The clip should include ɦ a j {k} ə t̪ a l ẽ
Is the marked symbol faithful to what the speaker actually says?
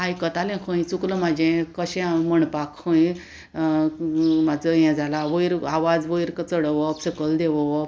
yes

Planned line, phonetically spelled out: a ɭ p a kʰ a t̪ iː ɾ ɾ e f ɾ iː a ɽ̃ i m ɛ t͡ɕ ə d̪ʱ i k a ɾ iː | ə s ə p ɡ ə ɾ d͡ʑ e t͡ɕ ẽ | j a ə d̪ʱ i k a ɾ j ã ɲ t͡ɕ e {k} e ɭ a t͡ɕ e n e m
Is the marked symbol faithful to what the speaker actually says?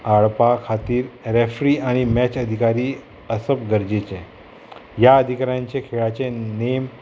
no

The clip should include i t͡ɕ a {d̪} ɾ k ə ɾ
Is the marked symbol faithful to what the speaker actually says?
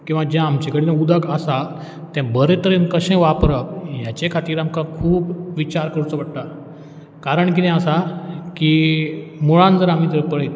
no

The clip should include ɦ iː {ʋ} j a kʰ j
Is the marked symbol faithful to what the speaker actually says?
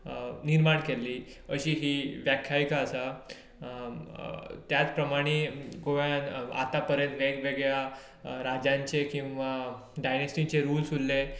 yes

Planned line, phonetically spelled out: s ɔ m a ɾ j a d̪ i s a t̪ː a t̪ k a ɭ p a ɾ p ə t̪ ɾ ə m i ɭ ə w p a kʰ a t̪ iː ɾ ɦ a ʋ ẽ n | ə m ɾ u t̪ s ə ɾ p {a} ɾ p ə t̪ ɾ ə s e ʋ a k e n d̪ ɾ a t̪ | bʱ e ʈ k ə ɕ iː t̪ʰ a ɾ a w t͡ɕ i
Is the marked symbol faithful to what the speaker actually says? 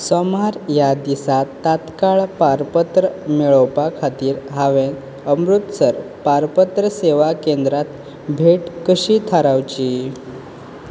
yes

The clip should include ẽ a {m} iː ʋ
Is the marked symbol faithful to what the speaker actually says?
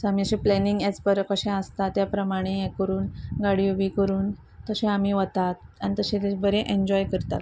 yes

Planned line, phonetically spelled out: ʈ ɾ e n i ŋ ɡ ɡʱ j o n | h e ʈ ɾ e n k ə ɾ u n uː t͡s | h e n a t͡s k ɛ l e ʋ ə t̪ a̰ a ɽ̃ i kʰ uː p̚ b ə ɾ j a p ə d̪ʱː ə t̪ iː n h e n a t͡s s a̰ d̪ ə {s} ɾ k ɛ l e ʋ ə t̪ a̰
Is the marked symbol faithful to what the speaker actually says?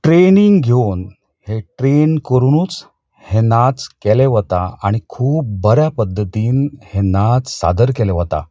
no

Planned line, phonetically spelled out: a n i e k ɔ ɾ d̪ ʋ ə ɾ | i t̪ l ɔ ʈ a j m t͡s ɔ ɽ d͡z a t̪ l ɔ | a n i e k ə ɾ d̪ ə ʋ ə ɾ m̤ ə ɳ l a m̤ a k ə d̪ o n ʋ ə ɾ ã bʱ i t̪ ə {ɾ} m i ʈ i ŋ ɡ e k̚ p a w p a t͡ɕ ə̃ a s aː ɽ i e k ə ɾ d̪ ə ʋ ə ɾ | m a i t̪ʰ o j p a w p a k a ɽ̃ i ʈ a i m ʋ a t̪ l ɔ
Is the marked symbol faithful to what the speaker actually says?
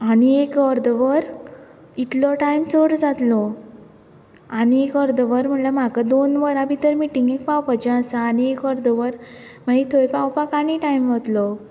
yes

